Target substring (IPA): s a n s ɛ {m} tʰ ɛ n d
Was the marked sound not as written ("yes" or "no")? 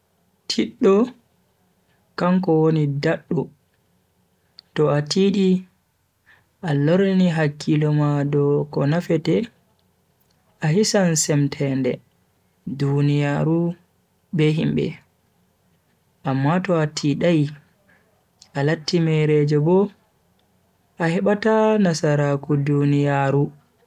no